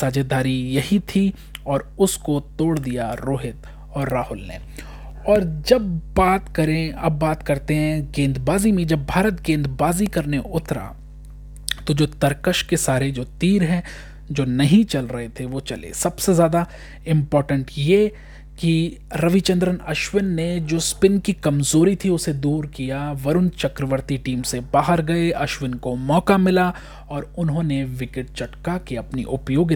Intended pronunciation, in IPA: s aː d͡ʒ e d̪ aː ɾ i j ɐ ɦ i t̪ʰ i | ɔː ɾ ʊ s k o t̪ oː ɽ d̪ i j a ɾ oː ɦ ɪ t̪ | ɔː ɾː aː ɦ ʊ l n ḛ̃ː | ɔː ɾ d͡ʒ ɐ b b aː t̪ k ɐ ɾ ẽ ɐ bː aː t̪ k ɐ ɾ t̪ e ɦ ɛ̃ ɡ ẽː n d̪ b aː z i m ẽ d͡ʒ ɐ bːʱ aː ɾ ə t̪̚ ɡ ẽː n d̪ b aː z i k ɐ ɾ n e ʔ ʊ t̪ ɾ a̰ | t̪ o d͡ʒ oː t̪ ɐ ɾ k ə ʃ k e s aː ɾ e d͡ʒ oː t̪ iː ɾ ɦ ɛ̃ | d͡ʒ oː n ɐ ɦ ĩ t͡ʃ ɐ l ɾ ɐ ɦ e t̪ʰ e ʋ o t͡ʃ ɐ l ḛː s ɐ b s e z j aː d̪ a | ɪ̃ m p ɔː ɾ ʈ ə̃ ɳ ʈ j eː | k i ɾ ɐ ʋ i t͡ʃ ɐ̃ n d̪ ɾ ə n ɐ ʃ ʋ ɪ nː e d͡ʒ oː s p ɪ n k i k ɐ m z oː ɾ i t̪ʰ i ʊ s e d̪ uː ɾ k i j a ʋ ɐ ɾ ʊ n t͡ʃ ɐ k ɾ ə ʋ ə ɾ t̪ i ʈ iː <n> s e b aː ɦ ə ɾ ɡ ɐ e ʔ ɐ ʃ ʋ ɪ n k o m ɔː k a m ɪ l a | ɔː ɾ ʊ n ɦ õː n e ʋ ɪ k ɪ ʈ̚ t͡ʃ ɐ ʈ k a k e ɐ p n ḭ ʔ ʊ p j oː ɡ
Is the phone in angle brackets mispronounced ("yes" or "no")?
yes